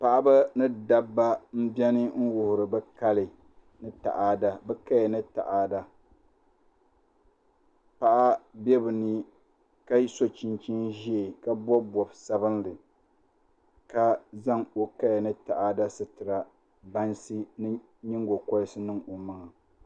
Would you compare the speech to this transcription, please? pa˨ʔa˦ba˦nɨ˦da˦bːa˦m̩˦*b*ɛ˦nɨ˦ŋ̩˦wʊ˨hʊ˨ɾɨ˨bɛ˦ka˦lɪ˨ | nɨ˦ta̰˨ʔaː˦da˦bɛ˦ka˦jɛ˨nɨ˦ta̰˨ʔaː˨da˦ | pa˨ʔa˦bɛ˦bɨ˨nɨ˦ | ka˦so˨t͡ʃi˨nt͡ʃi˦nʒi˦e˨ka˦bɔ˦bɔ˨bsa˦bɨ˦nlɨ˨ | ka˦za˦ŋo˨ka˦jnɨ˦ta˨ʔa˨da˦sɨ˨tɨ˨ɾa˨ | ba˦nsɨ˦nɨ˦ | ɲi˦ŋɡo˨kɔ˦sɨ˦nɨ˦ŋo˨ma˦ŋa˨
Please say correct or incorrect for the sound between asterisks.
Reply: correct